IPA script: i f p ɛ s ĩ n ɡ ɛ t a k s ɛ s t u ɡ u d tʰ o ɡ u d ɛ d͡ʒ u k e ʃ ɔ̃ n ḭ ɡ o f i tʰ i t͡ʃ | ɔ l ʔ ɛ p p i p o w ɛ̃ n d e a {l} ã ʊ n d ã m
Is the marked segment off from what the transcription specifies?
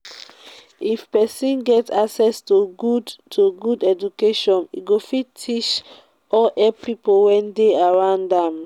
yes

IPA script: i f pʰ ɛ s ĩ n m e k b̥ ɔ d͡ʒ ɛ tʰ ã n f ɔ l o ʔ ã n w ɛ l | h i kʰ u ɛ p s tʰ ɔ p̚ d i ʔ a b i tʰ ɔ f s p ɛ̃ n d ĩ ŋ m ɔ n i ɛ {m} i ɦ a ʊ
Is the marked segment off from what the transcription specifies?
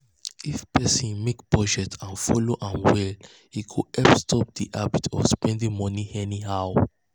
yes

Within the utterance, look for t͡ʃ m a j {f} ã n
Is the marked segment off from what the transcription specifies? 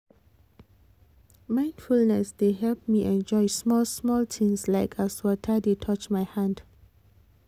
yes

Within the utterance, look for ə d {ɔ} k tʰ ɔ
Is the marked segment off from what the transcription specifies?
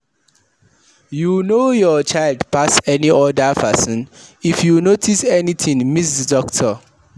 no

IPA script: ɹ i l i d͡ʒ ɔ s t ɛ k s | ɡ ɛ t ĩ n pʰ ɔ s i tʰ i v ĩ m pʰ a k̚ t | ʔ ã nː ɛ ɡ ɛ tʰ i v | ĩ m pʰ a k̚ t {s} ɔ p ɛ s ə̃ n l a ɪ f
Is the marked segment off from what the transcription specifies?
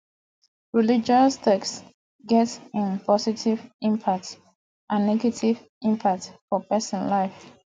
yes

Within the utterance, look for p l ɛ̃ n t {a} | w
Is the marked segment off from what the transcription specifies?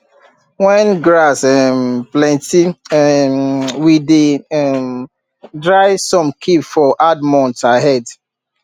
yes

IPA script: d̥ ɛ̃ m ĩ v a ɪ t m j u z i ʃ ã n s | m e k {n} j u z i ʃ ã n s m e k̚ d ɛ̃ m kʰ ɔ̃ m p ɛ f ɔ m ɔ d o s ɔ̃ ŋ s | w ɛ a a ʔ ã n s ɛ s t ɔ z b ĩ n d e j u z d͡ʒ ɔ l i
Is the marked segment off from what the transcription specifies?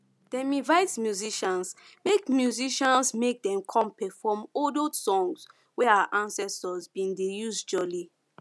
yes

